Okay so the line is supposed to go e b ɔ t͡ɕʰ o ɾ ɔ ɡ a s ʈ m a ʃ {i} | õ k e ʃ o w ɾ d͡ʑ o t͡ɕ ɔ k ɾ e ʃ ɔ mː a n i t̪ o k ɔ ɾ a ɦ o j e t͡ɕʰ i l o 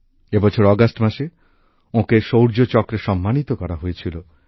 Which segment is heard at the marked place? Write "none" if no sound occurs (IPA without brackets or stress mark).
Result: e